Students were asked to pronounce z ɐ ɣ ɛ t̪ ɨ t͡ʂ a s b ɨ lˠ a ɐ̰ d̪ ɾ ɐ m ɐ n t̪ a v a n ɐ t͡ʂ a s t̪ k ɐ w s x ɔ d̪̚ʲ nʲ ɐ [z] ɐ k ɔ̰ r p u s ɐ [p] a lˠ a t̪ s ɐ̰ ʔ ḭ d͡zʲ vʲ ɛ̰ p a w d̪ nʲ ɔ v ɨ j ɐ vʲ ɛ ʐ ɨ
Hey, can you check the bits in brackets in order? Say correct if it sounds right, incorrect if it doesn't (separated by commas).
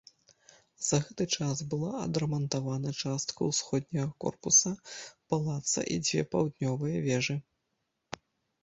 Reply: incorrect, correct